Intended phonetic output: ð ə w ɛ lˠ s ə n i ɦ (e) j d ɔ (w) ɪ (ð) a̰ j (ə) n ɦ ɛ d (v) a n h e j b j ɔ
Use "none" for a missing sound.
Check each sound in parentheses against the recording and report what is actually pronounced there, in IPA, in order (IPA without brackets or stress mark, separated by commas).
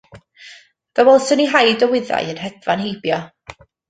a, w, ð, ə, v